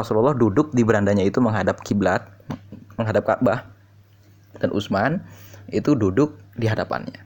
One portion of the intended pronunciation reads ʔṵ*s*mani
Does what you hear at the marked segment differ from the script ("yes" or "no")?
no